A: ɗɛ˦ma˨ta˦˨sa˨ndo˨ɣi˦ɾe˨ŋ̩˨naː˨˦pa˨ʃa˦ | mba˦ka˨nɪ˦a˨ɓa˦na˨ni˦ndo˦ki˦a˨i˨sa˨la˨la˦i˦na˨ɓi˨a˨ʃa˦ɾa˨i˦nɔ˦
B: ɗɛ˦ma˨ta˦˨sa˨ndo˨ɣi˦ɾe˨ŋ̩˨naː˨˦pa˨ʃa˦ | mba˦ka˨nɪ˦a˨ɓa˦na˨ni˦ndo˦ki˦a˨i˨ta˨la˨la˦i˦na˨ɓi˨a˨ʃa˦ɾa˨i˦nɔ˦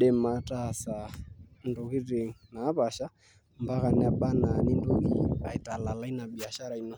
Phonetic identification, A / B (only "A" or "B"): B